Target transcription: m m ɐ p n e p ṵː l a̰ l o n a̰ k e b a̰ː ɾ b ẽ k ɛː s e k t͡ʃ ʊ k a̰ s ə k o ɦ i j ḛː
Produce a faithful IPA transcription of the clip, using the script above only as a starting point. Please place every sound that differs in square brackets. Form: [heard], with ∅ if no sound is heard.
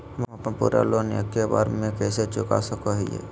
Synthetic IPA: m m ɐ p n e p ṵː [ɾ] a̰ l o n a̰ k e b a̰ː ɾ [m] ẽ k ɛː s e [∅] t͡ʃ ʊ k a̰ s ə k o ɦ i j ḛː